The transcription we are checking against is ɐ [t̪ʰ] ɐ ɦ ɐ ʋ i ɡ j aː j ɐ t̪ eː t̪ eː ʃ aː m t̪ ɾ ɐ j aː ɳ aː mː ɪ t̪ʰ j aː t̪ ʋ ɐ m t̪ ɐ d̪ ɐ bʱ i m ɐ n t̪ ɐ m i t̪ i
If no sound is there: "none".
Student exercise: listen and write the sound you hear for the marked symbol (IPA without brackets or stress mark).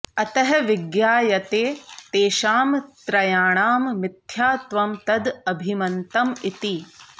t̪